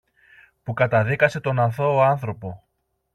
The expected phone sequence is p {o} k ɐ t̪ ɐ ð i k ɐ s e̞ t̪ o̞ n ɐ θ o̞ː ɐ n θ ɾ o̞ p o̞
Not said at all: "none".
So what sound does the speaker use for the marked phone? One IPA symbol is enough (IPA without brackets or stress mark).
u